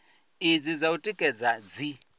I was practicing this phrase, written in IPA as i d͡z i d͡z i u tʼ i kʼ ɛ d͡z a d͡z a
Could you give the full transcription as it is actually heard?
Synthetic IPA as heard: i d͡z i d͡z a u tʼ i kʼ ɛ d͡z a d͡z i